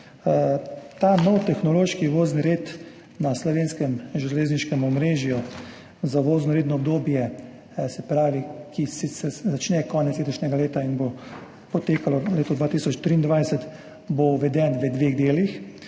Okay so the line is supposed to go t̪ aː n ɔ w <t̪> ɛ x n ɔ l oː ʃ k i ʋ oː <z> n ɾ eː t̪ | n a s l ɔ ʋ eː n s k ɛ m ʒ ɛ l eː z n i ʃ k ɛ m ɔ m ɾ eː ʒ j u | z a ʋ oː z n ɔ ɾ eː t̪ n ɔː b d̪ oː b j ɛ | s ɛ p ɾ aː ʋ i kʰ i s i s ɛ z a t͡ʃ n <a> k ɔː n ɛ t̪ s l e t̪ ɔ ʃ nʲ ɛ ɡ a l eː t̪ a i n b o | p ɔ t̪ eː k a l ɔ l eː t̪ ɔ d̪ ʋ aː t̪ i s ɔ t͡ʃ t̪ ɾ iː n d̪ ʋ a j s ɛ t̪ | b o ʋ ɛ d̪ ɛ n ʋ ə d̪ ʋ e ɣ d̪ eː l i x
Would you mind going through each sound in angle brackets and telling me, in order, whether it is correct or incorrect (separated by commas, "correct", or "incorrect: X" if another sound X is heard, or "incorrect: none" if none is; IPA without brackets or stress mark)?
correct, correct, incorrect: ɛ